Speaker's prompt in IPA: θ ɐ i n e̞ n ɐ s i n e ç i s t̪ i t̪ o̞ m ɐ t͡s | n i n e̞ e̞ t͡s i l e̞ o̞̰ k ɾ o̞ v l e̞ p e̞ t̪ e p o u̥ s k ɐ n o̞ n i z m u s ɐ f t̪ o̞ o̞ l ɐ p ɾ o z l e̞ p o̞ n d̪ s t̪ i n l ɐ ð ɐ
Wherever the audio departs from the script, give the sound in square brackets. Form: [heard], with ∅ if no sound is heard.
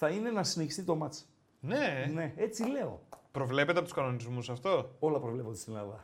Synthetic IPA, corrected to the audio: θ ɐ i n e̞ n ɐ s i n e ç i s t̪ i t̪ o̞ m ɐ t͡s | n [e] n e̞ e̞ t͡s i l e̞ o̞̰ [p] ɾ o̞ v l e̞ p e̞ t̪ e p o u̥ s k ɐ n o̞ n i z m u s ɐ f t̪ o̞ o̞ l ɐ p ɾ o [v] l e̞ p o̞ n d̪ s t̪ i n l ɐ ð ɐ